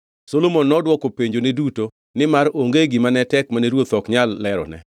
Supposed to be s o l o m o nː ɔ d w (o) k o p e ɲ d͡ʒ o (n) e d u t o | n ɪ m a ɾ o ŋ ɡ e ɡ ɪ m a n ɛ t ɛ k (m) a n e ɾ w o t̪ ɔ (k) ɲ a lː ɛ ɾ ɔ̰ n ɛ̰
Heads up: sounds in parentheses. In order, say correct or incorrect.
incorrect: ɔ, correct, correct, correct

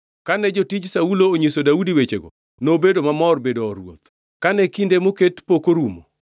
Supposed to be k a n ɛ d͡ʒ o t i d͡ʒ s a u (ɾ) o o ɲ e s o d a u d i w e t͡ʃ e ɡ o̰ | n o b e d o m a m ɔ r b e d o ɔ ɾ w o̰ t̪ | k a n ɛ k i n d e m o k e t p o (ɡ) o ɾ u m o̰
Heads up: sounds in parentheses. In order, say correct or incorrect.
incorrect: l, incorrect: k

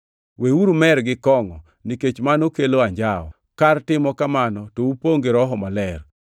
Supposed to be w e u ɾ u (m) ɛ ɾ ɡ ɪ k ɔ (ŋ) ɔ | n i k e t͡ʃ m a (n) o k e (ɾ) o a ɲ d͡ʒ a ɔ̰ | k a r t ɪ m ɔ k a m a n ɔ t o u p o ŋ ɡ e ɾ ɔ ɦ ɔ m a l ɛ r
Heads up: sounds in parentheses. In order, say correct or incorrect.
correct, correct, correct, incorrect: l

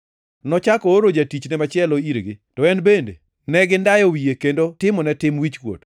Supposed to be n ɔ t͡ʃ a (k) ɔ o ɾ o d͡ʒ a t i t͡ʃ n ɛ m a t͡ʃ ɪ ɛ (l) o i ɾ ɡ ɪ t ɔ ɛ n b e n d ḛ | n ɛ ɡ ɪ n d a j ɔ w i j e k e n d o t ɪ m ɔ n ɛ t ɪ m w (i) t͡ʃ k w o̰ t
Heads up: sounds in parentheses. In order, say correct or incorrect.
correct, correct, correct

